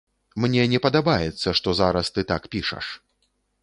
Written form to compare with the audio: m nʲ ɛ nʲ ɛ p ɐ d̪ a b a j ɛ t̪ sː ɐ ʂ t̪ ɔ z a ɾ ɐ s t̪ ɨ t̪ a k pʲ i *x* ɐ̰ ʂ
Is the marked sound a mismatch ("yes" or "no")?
yes